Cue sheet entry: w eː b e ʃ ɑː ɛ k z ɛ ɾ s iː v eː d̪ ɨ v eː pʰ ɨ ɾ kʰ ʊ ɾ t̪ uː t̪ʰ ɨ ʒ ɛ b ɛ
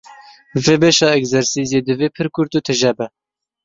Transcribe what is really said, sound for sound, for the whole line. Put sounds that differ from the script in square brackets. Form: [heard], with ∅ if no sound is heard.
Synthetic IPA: [v] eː b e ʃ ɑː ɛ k z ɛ ɾ s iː [z] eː d̪ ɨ v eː pʰ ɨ ɾ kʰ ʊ ɾ t̪ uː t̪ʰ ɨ ʒ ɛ b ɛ